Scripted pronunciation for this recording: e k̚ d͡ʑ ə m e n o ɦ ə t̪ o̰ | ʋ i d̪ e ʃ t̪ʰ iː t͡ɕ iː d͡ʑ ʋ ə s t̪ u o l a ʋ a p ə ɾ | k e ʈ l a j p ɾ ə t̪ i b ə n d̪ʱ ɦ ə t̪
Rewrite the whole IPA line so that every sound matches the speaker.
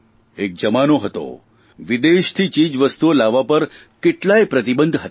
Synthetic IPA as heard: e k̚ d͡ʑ ə m a n o ɦ ə t̪ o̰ | ʋ i d̪ e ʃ t̪ʰ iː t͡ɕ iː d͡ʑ ʋ ə s t̪ u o l a ʋ a p ə ɾ | k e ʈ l a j p ɾ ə t̪ i b ə n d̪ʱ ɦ ə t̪

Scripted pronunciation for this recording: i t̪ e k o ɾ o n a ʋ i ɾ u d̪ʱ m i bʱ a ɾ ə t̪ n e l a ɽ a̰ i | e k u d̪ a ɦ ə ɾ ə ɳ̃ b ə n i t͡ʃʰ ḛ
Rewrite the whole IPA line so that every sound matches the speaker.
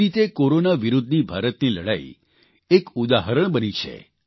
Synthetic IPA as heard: i t̪ e k o ɾ o n a ʋ i ɾ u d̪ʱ n i bʱ a ɾ ə t̪ n i l ə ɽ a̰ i | e k u d̪ a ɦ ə ɾ ə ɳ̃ b ə n i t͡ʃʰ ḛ

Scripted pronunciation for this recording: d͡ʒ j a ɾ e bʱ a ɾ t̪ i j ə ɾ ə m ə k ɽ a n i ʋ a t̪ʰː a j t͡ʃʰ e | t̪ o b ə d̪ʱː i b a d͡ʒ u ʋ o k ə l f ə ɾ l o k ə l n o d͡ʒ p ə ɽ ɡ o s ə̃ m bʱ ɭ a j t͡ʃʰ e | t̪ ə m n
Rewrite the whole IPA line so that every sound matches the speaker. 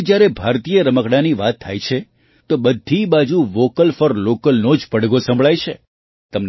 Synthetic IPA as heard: d͡ʒ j a ɾ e bʱ a ɾ t̪ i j ə ɾ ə m ə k ɽ a n i ʋ a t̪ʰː a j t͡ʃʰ e | t̪ o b ə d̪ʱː i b a d͡ʒ u ʋ o k ə l f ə ɾ l o k ə l n o d͡ʒ p ə ɽ ɡ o s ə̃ m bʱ ɭ a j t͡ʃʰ e | t̪ ə m n

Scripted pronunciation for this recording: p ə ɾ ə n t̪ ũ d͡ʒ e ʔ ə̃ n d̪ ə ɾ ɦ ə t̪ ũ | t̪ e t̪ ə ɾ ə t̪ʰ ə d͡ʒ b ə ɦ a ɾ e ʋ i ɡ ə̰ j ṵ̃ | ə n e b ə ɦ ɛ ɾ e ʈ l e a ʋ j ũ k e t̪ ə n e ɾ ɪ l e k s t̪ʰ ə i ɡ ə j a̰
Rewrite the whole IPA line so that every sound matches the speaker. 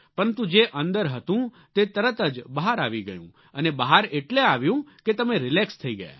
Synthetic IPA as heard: p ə ɾ ə n t̪ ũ d͡ʒ e ʔ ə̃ n d̪ ə ɾ ɦ ə t̪ ũ | t̪ e t̪ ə ɾ ə t̪ ə d͡ʒ b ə ɦ a ɾ a ʋ i ɡ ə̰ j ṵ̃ | ə n e b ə ɦ a ɾ e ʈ l e a ʋ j ũ k e t̪ ə m e ɾ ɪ l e k s t̪ʰ ə i ɡ ə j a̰

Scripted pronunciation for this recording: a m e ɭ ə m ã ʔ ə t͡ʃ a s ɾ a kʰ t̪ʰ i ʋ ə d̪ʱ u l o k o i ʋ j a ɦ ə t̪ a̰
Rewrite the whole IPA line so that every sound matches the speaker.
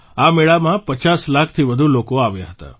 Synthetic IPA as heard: a m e ɭ a m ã p ə t͡ʃ a s l a kʰ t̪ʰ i ʋ ə d̪ʱ u l o k o a ʋ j a ɦ ə t̪ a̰

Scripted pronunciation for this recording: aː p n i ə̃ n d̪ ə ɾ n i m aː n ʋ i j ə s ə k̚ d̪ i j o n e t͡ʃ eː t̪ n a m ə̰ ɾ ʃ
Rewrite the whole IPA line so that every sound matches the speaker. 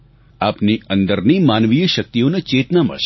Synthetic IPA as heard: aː p n i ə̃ n d̪ ə ɾ n i m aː n ʋ i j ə ʃ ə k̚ t̪ i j o n e t͡ʃ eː t̪ n a m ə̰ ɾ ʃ

